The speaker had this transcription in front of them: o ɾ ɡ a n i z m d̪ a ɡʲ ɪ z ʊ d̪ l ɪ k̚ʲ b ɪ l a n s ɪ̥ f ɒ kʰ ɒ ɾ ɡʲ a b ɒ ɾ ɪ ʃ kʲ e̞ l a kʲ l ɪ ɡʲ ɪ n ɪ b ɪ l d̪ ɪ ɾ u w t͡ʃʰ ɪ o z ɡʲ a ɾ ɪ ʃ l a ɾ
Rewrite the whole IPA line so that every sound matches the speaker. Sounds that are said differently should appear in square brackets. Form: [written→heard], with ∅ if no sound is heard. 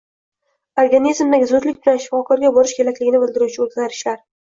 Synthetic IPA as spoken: o ɾ ɡ a n i z m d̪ a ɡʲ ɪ z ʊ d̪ l ɪ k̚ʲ b ɪ l a n [s→ʃ] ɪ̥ f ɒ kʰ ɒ ɾ ɡʲ a b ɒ ɾ ɪ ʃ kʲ e̞ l a kʲ l ɪ ɡʲ ɪ n ɪ b ɪ l d̪ ɪ ɾ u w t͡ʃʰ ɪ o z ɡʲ a ɾ ɪ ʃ l a ɾ